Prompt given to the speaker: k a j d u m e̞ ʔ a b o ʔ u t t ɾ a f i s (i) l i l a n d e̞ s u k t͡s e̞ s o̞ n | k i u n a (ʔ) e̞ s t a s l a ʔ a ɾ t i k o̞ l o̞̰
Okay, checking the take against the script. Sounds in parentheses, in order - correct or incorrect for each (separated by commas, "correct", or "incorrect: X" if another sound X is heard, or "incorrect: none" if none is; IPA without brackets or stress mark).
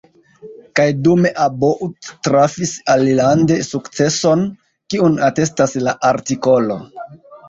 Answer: incorrect: a, incorrect: t